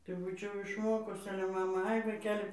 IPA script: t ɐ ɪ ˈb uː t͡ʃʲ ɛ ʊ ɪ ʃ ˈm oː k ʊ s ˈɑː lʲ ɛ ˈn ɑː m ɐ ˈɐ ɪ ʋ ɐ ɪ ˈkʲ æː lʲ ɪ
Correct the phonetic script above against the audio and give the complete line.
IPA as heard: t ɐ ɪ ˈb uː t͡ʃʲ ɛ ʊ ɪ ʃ ˈm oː k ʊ s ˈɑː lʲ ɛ ˈm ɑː m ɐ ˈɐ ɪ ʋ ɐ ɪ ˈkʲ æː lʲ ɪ